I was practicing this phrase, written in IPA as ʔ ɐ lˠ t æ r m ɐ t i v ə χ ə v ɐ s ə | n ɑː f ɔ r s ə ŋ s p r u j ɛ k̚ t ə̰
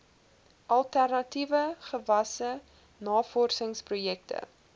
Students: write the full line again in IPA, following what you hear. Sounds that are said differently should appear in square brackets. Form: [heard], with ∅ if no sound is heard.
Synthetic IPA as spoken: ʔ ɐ lˠ t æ r [n] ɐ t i v ə χ ə v ɐ s ə | n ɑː f ɔ r s ə ŋ s p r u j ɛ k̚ t ə̰